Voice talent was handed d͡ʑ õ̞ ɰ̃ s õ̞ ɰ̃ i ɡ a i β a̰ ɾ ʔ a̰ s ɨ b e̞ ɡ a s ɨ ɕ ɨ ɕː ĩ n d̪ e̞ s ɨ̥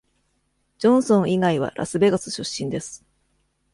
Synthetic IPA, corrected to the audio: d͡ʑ õ̞ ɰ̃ s õ̞ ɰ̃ i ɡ a i β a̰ ɾ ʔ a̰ s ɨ b e̞ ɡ a s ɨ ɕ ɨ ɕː ĩ n d̪ e̞ s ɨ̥